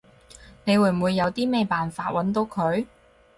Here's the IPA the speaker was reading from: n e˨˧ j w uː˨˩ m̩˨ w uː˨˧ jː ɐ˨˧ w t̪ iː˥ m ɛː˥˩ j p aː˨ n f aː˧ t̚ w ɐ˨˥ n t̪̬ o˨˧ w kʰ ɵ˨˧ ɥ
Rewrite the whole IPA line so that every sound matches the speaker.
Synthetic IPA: n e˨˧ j w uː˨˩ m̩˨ w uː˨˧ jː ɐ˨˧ w t̪ iː˥ m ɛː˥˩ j p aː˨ n f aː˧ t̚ w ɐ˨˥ n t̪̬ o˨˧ w kʰ ɵ˨˧ ɥ